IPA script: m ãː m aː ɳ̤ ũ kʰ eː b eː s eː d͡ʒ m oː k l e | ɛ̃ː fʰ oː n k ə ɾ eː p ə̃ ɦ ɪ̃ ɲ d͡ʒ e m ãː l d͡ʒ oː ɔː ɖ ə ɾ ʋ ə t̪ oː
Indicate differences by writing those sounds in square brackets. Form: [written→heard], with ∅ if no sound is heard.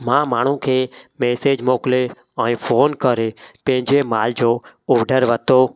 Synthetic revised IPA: m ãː m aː ɳ̤ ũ kʰ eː [b→m] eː s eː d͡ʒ m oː k l e | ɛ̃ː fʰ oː n k ə ɾ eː p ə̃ ɦ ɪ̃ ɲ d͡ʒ e m [ãː→aː] l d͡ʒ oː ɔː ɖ ə ɾ ʋ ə t̪ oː